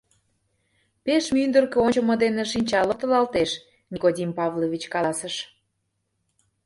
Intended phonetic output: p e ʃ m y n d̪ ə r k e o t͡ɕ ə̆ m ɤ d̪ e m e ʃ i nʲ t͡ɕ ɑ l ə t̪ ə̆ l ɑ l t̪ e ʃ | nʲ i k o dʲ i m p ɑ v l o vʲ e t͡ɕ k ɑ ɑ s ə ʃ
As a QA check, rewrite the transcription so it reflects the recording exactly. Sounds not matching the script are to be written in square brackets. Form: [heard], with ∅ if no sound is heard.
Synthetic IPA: p e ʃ m y n d̪ ə r k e o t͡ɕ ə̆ m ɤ d̪ e [n] e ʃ i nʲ t͡ɕ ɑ l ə t̪ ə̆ l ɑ l t̪ e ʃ | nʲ i k o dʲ i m p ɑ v l o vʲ [i] t͡ɕ k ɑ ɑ s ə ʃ